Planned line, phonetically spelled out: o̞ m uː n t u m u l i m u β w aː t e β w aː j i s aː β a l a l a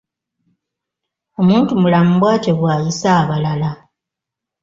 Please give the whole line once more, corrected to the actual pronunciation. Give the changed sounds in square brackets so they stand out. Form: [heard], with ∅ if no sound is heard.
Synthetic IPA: o̞ m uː n t u m u l [a] m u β w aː t e β w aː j i s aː β a l a l a